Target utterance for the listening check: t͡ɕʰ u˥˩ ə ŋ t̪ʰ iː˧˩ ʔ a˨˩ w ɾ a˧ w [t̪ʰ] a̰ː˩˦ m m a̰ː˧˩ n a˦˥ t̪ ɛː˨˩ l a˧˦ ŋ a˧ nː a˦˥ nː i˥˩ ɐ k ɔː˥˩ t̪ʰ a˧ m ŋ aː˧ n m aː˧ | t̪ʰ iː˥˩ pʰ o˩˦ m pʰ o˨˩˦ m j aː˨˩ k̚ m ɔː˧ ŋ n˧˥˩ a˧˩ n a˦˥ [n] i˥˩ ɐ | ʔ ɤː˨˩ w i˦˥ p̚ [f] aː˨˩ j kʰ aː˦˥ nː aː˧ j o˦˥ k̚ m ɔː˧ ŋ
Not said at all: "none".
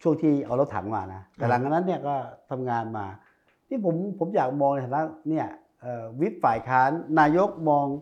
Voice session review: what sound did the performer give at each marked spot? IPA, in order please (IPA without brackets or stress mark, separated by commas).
t̪ʰ, n, f